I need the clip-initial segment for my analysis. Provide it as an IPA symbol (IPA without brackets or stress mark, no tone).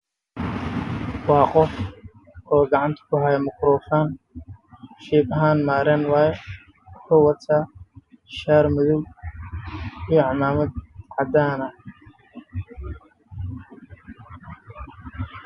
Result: w